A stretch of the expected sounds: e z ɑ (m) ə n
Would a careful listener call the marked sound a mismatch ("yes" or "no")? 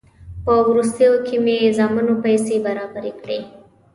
no